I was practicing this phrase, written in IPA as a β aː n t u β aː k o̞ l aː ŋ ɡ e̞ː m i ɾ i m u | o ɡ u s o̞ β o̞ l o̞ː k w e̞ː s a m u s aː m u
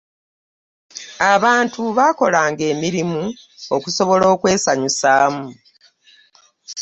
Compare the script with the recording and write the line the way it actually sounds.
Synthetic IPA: a β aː n t u β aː k o̞ l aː ŋ ɡ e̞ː m i ɾ i m u | o k u s o̞ β o̞ l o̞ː k w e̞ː s a ɲ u s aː m u